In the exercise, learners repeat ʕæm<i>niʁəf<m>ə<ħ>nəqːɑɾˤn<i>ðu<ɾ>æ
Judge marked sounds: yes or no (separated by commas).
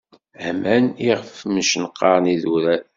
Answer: no, yes, no, yes, yes